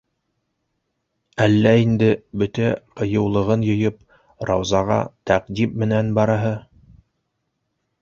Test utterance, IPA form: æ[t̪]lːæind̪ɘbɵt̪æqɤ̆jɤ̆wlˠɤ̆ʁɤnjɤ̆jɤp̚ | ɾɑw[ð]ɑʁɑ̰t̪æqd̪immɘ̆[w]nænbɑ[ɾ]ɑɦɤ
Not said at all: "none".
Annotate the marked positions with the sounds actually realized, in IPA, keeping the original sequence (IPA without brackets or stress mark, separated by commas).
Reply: none, z, none, ɾ